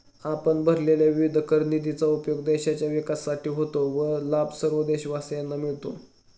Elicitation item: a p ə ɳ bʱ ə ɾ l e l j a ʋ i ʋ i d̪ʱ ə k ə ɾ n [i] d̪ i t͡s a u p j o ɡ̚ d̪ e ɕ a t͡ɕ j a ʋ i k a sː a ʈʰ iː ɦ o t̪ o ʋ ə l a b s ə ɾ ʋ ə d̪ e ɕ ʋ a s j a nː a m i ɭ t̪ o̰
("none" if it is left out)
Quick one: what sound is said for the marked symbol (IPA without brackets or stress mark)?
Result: i